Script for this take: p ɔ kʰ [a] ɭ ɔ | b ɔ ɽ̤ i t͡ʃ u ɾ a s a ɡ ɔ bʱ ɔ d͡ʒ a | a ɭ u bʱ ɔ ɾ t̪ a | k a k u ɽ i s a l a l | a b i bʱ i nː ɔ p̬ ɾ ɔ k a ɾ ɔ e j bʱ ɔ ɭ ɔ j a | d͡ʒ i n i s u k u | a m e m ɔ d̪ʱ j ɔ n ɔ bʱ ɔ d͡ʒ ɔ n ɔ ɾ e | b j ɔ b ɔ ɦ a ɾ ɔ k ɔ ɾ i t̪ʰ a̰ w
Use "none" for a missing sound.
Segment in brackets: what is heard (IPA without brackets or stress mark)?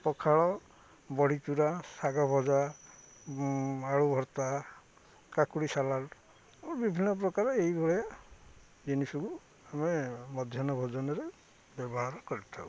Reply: a